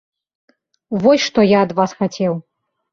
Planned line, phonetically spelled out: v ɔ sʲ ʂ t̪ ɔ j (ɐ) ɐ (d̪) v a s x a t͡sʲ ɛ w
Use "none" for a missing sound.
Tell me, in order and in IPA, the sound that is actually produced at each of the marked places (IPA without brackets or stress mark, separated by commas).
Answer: a, d̪